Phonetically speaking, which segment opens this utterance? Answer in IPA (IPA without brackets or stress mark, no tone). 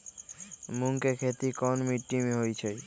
m